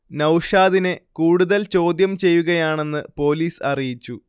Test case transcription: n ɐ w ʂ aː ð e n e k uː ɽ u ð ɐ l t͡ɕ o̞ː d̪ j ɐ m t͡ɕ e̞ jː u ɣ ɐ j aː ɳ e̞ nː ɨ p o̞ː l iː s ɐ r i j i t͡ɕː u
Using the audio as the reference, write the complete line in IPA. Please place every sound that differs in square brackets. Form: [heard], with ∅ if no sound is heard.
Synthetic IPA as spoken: n ɐ w ʂ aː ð [i] n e k uː ɽ u ð ɐ l t͡ɕ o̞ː d̪ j ɐ m t͡ɕ e̞ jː u ɣ ɐ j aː ɳ e̞ nː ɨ p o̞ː l iː s ɐ r i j i t͡ɕː u